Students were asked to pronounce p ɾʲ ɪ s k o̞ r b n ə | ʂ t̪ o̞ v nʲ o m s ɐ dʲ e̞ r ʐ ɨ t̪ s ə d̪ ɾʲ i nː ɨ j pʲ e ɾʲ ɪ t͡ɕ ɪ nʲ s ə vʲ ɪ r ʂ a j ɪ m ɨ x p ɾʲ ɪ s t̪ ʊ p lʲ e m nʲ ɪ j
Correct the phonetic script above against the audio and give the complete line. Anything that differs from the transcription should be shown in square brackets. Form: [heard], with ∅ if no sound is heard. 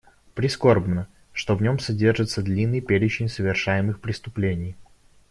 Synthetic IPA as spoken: p ɾʲ ɪ s k o̞ r b n ə | ʂ t̪ o̞ v nʲ o m s ɐ dʲ e̞ r ʐ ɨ t̪ s ə d̪ [lʲ] i nː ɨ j pʲ e ɾʲ ɪ t͡ɕ ɪ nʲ s ə vʲ ɪ r ʂ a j ɪ m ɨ x p ɾʲ ɪ s t̪ ʊ p lʲ e [∅] nʲ ɪ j